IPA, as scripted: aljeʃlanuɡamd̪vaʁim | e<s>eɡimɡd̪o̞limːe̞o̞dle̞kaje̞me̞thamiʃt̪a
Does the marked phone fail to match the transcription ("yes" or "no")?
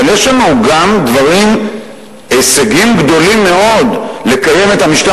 no